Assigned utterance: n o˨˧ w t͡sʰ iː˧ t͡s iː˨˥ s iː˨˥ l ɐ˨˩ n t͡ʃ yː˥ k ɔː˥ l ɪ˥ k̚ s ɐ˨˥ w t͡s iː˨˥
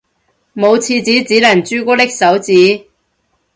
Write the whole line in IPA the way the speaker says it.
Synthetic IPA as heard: m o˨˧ w t͡sʰ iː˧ t͡s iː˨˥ t͡s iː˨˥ l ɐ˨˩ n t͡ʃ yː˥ k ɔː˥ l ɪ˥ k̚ s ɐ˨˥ w t͡s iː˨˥